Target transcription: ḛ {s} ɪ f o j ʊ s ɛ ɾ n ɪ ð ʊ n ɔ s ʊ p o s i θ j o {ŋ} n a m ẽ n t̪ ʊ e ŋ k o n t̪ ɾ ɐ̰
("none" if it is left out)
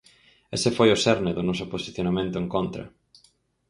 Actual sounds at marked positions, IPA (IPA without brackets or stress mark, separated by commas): s, none